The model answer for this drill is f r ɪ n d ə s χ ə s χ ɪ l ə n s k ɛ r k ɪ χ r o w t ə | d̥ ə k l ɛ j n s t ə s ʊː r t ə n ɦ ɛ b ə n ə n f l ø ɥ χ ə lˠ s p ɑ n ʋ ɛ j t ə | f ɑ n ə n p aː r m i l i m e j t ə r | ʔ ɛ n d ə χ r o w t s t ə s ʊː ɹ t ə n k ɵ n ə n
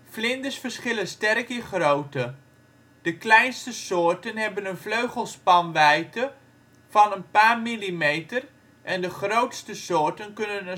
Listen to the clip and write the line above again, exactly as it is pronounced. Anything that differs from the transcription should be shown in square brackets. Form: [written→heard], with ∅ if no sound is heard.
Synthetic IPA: f [r→l] ɪ n d ə s [χ→f] ə s χ ɪ l ə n s [k→t] ɛ r k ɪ χ r o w t ə | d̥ ə k l ɛ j n s t ə s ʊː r t ə n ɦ ɛ b ə n ə n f l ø ɥ χ ə lˠ s p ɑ n ʋ ɛ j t ə | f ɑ n ə n p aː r m i l i m e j t ə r | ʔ ɛ n d ə χ r o w t s t ə s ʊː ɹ t ə n k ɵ n ə n